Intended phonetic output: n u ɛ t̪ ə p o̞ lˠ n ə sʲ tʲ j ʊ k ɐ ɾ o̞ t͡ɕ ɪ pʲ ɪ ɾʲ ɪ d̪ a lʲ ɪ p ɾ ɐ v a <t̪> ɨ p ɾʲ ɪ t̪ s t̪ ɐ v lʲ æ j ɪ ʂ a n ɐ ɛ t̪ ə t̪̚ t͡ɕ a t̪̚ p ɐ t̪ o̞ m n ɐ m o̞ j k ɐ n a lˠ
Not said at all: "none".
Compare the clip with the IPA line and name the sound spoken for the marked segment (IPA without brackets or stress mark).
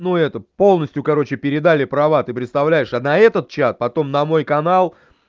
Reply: t̪